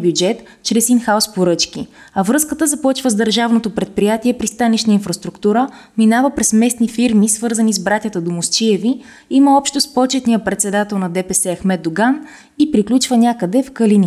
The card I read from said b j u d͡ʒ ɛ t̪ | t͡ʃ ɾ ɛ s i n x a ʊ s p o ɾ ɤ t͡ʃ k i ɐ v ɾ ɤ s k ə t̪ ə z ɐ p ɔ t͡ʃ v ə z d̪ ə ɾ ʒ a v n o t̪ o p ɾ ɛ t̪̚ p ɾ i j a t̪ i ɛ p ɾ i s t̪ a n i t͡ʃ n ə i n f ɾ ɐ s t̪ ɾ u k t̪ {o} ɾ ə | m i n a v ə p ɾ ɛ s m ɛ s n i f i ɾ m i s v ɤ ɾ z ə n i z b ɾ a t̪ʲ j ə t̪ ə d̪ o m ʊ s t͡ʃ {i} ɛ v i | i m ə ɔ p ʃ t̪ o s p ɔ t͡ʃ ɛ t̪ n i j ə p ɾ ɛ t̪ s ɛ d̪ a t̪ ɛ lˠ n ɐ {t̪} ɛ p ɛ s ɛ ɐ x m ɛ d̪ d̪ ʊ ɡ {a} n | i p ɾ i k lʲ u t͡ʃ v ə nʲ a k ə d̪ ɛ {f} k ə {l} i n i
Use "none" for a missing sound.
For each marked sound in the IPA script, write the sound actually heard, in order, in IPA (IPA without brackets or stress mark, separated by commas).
u, i, d̪, a, f, l